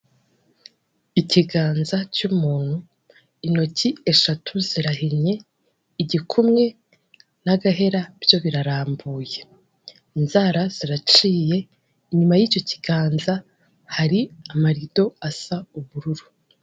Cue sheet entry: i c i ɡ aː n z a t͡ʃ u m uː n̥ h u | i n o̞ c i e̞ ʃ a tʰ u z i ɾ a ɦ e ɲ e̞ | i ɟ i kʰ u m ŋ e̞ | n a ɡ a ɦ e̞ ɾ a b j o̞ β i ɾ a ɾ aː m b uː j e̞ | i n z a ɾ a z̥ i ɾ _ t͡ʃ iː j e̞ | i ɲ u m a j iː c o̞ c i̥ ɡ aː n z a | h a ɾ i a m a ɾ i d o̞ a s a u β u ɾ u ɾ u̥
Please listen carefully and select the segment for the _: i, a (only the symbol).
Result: a